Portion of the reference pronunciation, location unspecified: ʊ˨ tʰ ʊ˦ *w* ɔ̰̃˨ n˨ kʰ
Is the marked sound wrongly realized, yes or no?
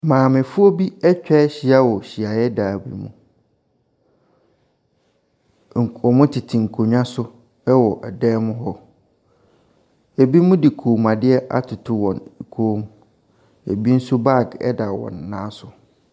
no